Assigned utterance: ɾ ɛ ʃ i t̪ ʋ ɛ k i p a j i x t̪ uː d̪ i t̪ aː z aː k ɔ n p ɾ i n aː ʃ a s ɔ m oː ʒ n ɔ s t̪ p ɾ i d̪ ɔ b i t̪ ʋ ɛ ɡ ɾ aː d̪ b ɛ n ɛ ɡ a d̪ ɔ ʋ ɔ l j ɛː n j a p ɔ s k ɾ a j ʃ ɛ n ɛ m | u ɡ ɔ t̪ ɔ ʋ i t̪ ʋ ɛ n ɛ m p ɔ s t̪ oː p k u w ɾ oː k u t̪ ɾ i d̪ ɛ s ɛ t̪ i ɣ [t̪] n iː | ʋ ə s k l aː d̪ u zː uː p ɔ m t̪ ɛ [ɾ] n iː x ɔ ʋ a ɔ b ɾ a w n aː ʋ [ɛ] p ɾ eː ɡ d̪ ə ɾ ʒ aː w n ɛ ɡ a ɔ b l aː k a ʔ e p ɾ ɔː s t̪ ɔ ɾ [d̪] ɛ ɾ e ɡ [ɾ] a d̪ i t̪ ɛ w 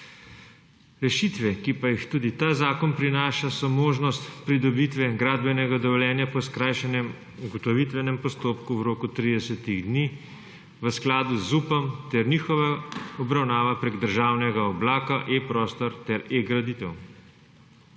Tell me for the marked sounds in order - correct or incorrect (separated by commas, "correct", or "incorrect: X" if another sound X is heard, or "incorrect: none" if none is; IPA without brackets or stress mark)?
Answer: incorrect: d̪, correct, incorrect: a, incorrect: t̪, correct